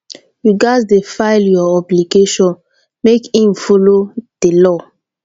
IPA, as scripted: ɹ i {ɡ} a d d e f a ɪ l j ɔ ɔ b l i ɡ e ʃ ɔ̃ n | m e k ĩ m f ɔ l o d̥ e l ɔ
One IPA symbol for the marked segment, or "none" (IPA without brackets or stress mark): ɡ